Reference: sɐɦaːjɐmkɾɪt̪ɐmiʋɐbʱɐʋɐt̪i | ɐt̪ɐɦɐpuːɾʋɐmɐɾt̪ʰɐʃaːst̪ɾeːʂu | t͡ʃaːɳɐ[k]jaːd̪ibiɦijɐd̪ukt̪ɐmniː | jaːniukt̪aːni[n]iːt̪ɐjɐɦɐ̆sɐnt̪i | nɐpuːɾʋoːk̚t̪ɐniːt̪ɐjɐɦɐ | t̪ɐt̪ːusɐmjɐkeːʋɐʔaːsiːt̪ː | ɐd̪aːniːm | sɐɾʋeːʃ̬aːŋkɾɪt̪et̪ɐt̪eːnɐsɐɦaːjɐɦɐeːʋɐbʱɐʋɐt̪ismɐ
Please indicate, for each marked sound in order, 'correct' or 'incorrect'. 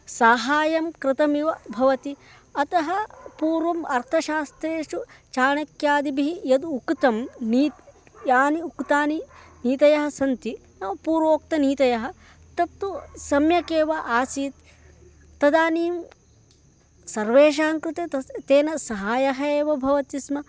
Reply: correct, correct

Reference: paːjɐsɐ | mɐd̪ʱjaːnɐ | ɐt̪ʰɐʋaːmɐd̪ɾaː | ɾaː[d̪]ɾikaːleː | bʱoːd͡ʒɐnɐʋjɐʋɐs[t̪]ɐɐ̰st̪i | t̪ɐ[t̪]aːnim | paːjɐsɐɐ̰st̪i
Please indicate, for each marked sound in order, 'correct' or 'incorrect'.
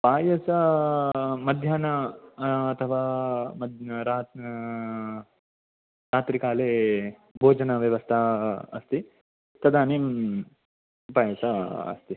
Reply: incorrect, incorrect, incorrect

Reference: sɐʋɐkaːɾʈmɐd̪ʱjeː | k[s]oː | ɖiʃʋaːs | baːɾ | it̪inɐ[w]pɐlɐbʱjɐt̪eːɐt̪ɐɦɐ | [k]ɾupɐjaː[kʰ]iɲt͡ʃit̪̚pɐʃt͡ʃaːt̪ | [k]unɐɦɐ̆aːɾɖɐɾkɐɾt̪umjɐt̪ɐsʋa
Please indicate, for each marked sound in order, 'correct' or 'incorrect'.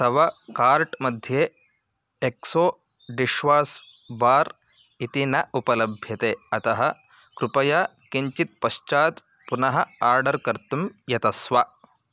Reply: correct, incorrect, correct, incorrect, incorrect

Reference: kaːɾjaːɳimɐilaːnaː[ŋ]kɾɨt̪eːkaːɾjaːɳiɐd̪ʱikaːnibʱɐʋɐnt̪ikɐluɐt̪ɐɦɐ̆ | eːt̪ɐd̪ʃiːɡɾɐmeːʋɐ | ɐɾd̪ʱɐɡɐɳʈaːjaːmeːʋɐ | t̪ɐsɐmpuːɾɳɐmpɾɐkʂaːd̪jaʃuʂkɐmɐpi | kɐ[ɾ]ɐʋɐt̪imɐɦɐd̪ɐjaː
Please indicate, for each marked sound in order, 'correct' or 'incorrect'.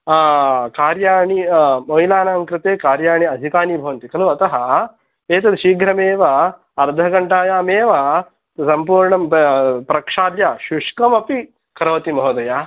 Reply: correct, correct

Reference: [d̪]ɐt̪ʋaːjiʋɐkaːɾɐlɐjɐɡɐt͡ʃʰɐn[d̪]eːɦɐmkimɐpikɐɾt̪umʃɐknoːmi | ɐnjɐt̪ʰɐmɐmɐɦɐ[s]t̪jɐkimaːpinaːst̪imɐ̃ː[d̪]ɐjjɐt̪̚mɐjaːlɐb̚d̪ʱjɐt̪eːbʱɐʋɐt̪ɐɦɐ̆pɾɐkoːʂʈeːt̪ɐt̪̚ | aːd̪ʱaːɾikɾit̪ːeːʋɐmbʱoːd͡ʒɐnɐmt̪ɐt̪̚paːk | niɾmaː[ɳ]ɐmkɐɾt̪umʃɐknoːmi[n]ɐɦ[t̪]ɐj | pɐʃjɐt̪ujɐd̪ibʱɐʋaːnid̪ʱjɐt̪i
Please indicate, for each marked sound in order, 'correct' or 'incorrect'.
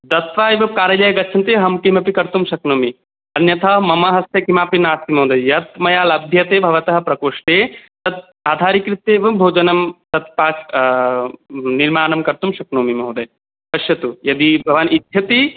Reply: correct, incorrect, correct, correct, incorrect, incorrect, incorrect

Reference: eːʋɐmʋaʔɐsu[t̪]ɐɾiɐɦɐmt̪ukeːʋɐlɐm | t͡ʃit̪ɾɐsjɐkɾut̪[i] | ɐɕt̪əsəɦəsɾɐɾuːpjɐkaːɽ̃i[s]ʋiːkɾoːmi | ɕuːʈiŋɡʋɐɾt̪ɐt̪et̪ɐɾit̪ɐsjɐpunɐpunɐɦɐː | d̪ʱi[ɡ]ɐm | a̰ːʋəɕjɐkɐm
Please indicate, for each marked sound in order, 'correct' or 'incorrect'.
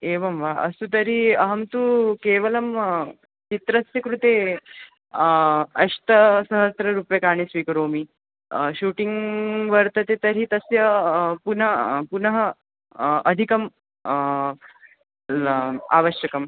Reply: correct, incorrect, correct, incorrect

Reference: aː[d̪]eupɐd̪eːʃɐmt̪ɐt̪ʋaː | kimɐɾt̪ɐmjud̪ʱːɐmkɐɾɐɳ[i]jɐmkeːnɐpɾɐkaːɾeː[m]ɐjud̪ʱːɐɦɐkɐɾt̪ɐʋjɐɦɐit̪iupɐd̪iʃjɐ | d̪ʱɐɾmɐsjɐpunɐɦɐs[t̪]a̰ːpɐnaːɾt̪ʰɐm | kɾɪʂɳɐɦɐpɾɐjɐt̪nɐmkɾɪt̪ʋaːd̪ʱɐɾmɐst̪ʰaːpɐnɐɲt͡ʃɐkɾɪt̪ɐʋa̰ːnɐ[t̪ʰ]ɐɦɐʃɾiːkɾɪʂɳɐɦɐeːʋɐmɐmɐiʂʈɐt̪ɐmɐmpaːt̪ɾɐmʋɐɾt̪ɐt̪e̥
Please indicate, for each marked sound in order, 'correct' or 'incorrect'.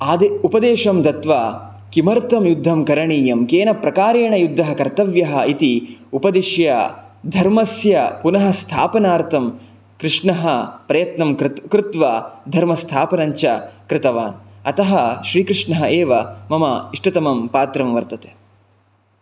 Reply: correct, incorrect, incorrect, incorrect, incorrect

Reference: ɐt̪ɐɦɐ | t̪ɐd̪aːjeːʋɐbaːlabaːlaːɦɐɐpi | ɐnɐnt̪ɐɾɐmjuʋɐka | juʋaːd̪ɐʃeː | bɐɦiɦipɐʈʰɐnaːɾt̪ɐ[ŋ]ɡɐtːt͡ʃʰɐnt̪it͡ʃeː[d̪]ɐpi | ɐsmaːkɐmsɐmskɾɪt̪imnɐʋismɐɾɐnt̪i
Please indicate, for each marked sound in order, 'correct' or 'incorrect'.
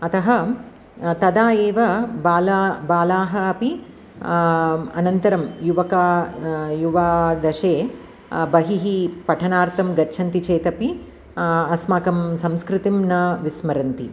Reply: incorrect, incorrect

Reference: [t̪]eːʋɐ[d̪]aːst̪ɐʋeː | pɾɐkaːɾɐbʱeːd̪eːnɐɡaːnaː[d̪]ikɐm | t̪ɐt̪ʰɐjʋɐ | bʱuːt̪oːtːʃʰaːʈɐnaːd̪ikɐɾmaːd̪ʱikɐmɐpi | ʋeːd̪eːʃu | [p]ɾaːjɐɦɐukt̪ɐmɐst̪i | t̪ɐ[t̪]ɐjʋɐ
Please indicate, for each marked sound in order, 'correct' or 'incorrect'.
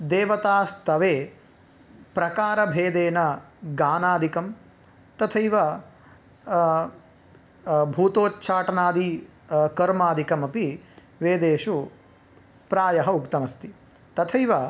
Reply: incorrect, incorrect, correct, correct, incorrect

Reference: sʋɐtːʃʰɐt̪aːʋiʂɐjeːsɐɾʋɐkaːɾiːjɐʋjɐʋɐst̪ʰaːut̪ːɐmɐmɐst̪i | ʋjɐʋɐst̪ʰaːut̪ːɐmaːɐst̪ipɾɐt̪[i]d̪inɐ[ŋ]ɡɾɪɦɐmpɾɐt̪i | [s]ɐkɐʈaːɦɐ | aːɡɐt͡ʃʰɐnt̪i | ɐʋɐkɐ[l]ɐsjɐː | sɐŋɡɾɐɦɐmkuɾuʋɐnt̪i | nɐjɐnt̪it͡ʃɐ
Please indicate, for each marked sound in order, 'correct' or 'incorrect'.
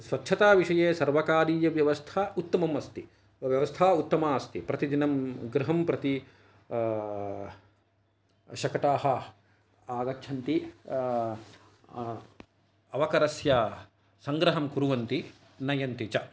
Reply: correct, incorrect, incorrect, incorrect

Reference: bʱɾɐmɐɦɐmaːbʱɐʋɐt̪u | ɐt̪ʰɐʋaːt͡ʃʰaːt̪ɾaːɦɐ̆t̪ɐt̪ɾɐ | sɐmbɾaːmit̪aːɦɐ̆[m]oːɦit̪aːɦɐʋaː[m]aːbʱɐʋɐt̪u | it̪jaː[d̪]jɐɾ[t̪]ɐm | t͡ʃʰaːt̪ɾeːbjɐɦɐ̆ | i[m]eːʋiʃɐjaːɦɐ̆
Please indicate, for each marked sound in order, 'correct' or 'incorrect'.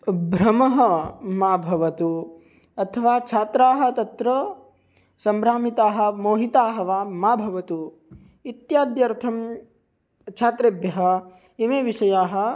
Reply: correct, correct, correct, incorrect, correct

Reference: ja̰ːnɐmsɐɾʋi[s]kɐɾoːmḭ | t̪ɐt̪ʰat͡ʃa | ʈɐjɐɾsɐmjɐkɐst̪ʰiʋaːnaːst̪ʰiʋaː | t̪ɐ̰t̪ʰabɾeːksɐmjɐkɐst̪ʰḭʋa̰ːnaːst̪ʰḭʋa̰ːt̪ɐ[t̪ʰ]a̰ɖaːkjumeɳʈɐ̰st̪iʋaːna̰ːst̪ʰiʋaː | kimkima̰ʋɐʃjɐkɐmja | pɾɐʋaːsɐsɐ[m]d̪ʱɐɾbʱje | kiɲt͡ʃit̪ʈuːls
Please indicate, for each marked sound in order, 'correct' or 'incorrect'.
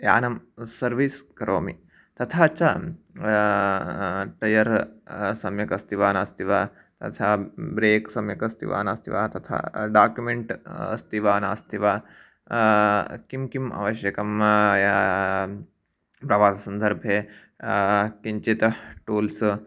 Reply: correct, correct, incorrect

